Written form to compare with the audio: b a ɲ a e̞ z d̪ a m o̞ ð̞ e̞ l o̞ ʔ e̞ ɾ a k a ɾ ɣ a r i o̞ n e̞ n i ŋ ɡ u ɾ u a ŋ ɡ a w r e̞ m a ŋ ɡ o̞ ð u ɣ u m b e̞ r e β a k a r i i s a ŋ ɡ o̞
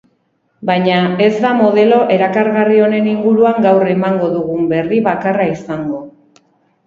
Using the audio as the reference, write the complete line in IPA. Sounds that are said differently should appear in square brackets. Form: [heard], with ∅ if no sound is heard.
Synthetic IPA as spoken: b a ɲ a e̞ z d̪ a m o̞ ð̞ e̞ l o̞ ʔ e̞ ɾ a k a ɾ ɣ a r i o̞ n e̞ n i ŋ ɡ u ɾ u a ŋ ɡ a w r e̞ m a ŋ ɡ o̞ ð u ɣ u m b e̞ r [i] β a k a r [a] i s a ŋ ɡ o̞